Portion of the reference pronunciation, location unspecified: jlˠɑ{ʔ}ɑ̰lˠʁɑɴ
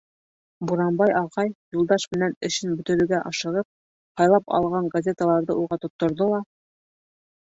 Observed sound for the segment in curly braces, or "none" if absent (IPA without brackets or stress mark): p